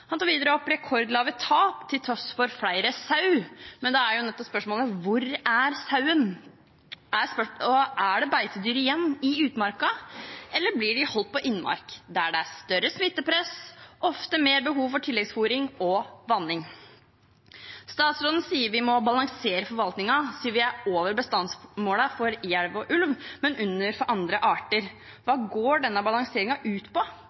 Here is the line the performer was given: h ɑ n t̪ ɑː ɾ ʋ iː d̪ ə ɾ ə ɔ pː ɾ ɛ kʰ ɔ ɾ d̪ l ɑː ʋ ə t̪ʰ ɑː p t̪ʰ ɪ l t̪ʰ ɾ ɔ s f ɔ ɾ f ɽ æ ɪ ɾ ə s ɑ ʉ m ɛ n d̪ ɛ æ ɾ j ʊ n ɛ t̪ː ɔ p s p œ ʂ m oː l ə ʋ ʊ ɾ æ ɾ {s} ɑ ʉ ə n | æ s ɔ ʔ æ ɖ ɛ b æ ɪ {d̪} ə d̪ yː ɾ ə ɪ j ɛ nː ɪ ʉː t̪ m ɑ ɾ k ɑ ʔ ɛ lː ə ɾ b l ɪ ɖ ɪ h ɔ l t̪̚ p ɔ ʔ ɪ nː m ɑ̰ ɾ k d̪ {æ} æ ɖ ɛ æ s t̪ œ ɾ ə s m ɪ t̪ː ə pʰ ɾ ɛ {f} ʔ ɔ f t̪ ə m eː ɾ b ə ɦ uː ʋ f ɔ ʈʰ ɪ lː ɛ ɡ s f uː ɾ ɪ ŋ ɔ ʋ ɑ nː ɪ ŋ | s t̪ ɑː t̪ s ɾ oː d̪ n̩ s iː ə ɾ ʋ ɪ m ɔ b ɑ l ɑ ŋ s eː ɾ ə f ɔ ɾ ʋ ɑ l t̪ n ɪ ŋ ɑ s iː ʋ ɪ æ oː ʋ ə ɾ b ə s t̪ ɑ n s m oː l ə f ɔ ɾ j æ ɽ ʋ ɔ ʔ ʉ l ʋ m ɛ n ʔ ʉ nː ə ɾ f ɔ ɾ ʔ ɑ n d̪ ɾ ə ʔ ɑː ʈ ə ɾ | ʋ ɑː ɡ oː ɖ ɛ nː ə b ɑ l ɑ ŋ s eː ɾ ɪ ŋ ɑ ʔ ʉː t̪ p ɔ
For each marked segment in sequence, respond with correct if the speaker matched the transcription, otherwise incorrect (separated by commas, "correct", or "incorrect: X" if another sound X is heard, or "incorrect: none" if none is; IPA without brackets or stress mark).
correct, incorrect: t̪, correct, incorrect: s